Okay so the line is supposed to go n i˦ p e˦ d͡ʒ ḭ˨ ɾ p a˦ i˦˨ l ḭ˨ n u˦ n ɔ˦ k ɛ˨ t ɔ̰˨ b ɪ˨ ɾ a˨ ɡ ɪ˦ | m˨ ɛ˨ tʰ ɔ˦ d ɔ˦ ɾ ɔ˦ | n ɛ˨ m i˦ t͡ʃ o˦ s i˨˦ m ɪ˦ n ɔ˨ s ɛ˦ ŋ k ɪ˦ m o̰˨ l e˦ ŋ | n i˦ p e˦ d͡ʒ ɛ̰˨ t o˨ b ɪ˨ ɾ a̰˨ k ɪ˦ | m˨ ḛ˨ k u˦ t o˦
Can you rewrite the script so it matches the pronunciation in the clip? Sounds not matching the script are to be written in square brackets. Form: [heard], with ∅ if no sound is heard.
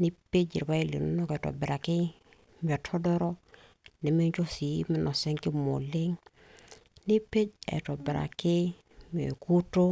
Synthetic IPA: n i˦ p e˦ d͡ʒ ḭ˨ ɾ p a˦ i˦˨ l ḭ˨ n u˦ n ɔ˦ k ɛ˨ t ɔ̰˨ b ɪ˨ ɾ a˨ [k] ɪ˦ | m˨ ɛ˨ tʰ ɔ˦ d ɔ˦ ɾ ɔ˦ | n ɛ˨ m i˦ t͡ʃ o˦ s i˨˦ m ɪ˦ n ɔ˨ s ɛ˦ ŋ k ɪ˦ m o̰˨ l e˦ ŋ | n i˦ p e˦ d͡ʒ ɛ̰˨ t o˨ b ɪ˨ ɾ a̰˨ k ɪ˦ | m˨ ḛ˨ k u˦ t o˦

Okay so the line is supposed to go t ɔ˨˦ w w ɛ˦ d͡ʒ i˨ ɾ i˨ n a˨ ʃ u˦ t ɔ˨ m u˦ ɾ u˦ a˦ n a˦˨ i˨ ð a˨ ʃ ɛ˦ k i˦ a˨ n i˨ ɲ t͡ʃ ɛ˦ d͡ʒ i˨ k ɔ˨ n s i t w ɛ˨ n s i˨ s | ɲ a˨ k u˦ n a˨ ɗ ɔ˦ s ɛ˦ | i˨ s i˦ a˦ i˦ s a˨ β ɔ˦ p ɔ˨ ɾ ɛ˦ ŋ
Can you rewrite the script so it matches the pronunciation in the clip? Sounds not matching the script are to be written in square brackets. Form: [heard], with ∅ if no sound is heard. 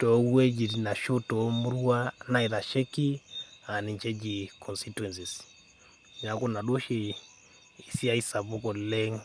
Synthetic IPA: t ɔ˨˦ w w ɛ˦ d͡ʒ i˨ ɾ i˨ n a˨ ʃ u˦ t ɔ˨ m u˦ ɾ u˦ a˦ n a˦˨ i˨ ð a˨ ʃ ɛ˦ k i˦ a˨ n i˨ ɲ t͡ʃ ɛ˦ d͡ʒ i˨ k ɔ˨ n s i t w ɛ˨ n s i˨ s | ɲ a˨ k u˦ n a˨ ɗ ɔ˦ [ʃ] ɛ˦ | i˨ s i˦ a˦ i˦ s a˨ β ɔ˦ [k] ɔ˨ [l] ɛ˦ ŋ

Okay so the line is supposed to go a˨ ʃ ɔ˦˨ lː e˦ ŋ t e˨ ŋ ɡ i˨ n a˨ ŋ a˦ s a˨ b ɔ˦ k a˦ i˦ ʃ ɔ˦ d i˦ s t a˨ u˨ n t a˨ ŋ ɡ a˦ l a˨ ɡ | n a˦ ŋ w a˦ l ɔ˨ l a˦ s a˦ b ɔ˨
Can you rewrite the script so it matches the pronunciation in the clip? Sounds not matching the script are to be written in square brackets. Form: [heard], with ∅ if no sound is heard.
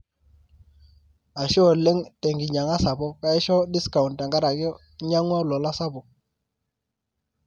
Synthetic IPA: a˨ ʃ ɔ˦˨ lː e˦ ŋ t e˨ ŋ ɡ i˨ [ɲ] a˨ ŋ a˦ s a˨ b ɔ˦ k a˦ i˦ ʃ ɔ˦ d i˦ s [k] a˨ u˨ n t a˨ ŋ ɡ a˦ [ɾ] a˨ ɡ | [ɲ] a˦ ŋ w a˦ l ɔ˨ l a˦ s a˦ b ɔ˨

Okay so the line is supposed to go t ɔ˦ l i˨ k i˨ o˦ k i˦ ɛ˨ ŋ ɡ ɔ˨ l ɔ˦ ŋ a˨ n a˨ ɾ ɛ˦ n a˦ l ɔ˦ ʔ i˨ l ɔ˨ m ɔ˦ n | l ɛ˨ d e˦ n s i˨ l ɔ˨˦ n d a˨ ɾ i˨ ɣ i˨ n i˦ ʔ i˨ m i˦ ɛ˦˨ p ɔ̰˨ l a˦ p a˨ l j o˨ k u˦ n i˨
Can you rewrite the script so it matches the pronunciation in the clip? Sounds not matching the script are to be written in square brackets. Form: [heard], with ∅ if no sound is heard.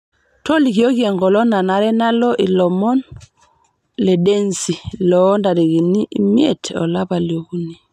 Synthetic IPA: t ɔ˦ l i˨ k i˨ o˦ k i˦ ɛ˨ ŋ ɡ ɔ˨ l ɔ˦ [n] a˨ n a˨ ɾ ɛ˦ n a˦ l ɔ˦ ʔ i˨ l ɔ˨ m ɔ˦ n | l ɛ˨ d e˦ n s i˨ l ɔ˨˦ n d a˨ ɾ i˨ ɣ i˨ n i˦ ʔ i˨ m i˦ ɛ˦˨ [t] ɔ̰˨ l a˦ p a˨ l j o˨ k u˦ n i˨

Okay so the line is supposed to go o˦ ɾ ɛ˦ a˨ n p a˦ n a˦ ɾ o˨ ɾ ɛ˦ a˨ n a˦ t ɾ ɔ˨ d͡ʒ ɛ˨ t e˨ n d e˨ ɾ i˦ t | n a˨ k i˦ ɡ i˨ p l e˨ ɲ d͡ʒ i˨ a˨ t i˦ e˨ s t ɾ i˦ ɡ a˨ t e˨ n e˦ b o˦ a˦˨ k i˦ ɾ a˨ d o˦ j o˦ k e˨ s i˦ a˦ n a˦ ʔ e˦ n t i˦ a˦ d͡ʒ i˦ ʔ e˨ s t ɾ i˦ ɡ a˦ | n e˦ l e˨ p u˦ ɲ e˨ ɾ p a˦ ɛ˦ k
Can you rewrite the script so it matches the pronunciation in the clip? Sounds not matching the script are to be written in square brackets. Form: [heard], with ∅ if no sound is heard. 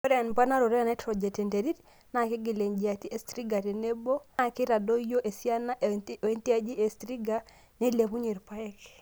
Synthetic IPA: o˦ ɾ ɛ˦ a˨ n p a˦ n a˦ ɾ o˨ ɾ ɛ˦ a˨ n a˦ t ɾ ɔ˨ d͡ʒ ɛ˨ t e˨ n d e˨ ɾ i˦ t | n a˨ k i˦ ɡ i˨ [∅] l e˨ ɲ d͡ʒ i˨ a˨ t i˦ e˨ s t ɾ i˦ ɡ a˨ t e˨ n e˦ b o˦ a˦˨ k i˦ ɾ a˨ d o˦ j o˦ [ʔ] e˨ s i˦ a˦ n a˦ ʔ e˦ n t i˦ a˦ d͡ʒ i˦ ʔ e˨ s t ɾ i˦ ɡ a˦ | n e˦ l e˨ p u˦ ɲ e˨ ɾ p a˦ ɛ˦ k

